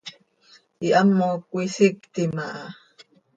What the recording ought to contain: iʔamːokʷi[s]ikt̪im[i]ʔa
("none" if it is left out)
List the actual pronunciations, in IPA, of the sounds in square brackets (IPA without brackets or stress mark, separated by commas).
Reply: s, a